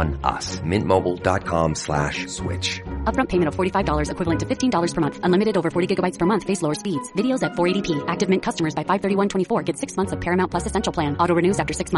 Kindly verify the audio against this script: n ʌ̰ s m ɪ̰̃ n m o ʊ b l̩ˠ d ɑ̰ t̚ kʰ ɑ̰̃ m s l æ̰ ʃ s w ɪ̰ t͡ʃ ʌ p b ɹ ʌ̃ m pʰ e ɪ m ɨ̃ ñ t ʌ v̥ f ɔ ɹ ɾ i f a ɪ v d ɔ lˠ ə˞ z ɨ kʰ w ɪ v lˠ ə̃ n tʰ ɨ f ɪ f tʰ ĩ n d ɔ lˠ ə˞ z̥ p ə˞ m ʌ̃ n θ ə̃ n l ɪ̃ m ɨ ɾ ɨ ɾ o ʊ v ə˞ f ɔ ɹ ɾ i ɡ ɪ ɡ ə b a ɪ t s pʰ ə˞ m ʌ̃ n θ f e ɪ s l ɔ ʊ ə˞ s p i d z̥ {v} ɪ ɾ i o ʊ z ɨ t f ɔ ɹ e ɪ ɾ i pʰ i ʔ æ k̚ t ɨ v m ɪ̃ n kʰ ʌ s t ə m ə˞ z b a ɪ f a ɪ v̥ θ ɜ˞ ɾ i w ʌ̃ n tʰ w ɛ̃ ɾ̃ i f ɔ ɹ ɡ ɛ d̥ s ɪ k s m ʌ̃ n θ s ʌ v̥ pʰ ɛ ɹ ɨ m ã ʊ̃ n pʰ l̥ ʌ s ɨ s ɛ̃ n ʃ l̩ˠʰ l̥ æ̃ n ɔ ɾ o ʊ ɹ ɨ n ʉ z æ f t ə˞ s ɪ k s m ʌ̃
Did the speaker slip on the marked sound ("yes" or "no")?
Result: no